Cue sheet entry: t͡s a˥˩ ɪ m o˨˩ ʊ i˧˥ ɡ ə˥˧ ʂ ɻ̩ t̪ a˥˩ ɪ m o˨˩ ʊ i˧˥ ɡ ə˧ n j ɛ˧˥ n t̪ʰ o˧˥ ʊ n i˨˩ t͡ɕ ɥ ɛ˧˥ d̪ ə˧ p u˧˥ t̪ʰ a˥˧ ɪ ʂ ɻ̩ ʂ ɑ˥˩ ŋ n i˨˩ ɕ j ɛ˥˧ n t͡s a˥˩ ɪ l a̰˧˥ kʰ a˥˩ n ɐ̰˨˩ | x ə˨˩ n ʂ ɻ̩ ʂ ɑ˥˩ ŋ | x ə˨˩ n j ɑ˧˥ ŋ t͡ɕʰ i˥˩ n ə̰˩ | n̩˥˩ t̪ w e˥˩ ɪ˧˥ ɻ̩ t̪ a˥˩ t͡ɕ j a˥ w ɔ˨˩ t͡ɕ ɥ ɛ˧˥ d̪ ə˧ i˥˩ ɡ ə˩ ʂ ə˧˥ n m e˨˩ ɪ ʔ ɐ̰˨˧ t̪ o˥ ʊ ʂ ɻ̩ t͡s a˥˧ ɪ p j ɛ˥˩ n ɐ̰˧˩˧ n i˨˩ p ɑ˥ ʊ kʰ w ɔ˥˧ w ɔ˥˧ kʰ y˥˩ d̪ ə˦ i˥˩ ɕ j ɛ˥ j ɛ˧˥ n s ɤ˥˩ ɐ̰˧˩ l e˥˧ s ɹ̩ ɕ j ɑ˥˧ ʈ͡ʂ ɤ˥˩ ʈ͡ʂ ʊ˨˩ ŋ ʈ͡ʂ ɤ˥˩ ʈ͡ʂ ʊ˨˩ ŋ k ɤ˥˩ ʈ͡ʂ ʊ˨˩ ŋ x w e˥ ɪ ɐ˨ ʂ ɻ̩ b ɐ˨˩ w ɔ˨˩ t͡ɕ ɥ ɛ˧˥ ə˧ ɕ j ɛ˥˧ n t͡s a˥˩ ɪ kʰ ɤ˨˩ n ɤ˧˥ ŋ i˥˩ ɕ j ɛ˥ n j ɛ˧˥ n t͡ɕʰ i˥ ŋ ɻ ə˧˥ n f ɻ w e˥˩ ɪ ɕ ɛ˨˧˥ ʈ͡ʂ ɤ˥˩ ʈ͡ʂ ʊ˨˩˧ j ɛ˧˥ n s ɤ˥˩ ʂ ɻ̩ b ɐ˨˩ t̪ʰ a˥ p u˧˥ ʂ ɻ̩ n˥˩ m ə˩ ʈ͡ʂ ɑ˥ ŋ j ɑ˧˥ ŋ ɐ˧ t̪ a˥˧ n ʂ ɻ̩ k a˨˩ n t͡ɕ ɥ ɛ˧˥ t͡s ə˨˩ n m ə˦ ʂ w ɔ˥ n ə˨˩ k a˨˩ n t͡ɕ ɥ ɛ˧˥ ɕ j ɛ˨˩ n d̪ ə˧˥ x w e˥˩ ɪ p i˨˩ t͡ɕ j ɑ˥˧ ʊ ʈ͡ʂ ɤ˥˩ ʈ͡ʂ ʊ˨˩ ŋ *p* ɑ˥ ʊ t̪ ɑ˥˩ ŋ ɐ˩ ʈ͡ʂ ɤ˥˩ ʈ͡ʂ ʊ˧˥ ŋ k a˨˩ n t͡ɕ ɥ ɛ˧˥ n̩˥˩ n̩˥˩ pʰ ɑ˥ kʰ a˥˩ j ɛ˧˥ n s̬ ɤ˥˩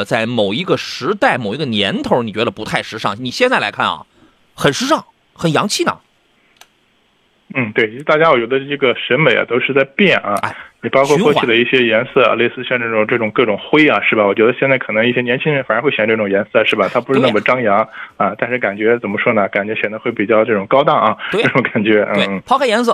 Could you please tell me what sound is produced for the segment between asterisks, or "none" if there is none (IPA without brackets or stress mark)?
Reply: k